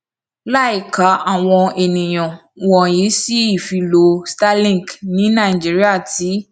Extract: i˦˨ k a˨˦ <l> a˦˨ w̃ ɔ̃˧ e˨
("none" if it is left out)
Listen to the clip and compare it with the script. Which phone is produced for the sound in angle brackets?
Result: none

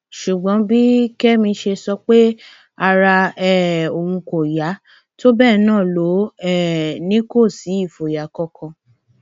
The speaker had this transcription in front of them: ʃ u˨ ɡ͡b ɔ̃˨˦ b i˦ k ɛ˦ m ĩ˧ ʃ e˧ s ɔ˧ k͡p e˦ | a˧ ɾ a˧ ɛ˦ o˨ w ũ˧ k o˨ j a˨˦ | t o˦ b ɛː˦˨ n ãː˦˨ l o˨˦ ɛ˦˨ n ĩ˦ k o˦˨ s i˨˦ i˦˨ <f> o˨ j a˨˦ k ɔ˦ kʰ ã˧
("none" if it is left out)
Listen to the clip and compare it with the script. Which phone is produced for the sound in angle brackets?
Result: f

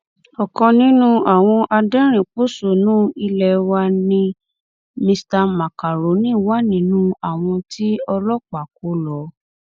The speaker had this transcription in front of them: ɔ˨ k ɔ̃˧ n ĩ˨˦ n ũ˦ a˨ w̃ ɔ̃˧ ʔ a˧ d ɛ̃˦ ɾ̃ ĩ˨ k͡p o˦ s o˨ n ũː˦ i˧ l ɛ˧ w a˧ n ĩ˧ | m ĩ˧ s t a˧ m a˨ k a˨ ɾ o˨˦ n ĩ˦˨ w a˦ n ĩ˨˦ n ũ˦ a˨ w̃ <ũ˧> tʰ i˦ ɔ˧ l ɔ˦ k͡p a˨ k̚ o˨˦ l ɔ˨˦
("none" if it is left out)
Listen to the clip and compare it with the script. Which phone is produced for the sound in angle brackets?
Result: ɔ̃˧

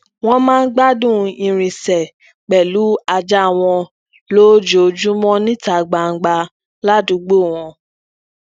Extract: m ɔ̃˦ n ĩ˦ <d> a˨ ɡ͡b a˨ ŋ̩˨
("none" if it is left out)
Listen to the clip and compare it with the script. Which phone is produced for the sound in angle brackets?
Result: t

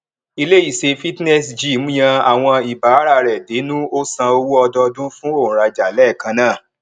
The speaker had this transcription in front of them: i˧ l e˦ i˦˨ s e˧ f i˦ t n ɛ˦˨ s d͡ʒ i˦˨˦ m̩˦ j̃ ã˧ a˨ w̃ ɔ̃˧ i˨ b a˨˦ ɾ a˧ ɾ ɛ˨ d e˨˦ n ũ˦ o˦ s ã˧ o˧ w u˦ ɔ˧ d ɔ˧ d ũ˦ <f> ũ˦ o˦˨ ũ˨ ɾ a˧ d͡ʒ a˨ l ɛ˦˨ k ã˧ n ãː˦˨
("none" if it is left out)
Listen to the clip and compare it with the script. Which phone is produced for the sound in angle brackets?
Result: f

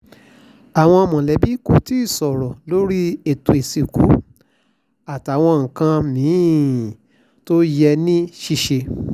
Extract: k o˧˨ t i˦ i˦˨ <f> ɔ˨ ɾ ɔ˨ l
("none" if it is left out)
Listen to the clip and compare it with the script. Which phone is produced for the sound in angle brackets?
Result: s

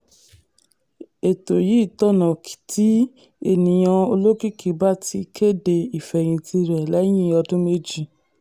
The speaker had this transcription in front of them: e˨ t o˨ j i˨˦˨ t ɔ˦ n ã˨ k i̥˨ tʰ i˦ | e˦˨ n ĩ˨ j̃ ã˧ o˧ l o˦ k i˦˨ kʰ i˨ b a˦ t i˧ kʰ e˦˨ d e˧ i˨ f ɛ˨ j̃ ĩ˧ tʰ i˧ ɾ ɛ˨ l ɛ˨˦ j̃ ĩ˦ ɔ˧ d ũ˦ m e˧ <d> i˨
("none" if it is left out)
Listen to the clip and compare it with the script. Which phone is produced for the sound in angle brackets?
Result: d͡ʒ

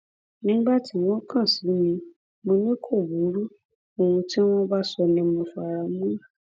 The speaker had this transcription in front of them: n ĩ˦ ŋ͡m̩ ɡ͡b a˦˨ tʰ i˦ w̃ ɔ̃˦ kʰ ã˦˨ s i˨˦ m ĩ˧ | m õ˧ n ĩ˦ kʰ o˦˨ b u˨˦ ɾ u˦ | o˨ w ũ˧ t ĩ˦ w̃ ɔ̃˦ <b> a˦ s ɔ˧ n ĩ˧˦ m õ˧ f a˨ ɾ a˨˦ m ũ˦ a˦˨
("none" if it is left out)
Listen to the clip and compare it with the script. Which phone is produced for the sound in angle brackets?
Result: b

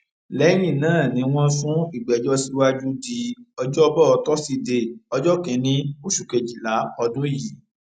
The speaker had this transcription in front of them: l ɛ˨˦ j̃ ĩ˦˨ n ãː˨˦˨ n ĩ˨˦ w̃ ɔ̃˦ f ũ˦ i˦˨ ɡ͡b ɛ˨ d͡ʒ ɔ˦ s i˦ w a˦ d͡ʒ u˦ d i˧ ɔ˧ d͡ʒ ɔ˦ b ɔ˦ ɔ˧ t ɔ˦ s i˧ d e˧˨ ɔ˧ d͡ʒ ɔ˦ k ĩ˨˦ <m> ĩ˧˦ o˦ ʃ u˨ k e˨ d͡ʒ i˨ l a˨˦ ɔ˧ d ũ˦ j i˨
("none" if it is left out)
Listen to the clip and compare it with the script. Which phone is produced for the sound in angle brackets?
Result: n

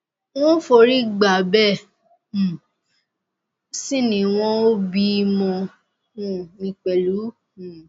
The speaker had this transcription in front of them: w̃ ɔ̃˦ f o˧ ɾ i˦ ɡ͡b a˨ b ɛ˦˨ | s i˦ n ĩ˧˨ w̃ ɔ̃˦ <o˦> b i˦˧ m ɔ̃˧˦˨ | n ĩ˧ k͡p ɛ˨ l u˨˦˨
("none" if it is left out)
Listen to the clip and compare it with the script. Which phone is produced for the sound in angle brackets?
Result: o˦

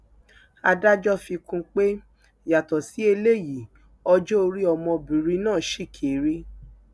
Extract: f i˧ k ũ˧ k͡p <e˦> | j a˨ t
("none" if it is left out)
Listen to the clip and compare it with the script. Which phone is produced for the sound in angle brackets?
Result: e˦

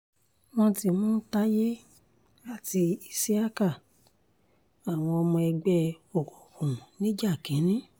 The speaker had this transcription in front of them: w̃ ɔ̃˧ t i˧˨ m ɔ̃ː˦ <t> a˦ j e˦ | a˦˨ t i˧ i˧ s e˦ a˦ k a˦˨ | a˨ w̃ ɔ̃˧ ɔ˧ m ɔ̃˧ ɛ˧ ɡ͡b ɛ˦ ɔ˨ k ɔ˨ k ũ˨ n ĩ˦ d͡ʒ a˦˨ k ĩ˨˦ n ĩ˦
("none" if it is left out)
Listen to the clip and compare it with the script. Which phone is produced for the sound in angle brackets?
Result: t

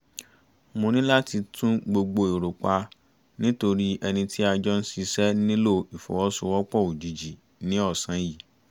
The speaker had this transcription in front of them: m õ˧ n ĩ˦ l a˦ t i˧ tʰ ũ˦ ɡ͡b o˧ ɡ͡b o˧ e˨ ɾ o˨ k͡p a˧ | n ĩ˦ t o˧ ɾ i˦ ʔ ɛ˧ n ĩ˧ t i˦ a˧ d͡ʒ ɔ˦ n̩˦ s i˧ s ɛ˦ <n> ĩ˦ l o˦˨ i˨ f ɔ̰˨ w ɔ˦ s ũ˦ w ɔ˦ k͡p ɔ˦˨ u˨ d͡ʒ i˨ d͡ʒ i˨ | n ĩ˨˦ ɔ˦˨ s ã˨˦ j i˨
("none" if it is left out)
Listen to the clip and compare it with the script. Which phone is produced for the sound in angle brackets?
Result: n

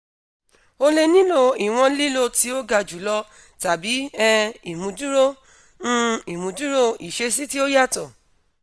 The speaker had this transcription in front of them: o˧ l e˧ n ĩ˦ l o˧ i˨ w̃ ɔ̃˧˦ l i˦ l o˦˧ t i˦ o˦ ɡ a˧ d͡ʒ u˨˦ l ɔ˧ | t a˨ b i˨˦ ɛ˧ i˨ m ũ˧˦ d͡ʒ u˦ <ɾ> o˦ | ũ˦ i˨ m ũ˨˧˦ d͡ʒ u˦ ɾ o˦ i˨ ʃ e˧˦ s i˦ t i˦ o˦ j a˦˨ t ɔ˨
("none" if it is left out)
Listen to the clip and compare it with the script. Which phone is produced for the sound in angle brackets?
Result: ɾ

